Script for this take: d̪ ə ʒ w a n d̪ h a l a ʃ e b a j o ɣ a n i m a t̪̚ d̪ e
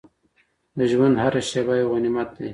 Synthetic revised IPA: d̪ ə ʒ w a n d̪ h a ɾ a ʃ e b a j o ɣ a n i m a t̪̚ d̪ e